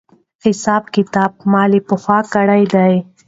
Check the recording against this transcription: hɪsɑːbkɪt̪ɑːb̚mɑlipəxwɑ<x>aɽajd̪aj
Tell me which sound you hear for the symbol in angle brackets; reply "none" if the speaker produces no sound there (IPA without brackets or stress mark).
k